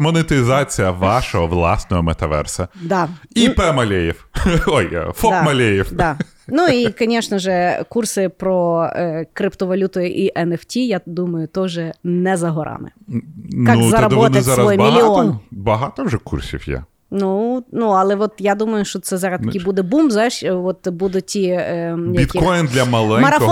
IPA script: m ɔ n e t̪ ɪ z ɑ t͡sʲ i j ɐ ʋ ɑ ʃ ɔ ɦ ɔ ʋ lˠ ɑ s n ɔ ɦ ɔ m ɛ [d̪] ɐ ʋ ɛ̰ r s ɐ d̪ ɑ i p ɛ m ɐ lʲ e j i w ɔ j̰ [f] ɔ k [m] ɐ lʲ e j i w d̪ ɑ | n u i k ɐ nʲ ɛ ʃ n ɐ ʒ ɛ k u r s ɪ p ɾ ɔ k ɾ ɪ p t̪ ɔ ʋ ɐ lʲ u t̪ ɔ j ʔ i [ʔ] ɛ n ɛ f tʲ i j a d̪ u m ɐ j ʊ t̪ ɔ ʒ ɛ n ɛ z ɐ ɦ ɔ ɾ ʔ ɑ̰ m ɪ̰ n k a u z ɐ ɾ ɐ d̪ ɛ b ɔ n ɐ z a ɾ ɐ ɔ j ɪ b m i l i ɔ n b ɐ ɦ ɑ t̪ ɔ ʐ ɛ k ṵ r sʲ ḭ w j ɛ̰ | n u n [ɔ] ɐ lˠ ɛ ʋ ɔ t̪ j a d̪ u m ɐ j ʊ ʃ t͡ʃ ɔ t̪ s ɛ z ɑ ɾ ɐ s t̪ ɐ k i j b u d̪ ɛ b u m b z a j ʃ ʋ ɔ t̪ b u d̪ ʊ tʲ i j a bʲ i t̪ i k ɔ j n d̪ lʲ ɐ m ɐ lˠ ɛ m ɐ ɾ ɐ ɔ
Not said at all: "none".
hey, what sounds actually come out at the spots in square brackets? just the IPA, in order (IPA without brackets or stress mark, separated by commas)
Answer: t̪, f, m, ʔ, u